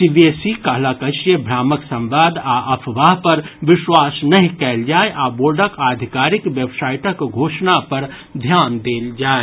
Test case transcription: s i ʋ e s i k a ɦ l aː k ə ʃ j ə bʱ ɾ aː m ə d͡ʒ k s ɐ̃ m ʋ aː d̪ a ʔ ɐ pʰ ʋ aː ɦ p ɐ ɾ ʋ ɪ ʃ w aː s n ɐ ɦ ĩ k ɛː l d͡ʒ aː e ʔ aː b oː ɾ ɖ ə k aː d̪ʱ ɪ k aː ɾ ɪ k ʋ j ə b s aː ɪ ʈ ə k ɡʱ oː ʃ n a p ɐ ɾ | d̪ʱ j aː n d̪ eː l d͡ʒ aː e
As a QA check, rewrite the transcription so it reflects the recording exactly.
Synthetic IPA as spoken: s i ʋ e s i k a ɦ l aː k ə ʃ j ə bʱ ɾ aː m ə k s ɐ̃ m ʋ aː d̪ a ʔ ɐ pʰ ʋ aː ɦ p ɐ ɾ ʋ ɪ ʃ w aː s n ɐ ɦ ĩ k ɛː l d͡ʒ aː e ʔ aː b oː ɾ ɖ ə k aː d̪ʱ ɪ k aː ɾ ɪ k ʋ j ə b s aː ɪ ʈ ə k ɡʱ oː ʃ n a p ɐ ɾ | d̪ʱ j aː n d̪ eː l d͡ʒ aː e